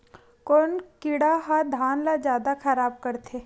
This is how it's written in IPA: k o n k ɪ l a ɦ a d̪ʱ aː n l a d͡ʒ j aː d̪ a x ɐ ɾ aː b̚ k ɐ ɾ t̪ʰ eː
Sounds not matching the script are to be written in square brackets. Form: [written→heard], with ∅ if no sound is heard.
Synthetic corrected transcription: k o n k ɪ [l→ɽ] a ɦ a d̪ʱ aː n l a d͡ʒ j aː d̪ a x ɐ ɾ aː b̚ k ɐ ɾ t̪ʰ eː